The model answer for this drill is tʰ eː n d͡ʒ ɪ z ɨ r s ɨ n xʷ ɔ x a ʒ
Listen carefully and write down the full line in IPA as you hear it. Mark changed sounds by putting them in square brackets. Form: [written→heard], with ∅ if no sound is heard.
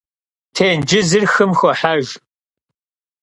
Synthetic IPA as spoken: tʰ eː n d͡ʒ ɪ z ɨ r [s→x] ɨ [n→m] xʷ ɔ [x→ħ] a ʒ